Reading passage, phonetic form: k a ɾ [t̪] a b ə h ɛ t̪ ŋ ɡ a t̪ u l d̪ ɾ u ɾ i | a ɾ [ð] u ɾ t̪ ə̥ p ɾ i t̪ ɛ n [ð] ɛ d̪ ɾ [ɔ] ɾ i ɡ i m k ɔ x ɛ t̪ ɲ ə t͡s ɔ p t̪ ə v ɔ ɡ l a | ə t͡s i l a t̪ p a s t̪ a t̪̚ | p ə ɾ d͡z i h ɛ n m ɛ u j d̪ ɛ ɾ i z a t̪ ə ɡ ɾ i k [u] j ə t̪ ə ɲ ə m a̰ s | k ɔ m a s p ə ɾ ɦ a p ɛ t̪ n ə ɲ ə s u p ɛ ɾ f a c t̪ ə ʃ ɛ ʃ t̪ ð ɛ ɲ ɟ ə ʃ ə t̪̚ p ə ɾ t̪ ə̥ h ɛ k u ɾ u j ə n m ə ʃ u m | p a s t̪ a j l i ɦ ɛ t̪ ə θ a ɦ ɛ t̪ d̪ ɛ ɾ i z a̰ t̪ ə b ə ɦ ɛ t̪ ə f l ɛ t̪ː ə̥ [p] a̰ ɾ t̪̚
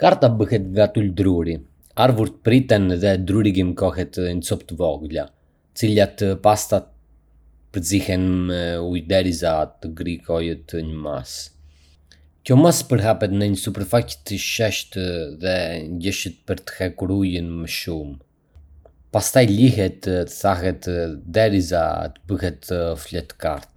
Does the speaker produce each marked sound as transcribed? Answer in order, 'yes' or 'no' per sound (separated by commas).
yes, no, yes, no, no, no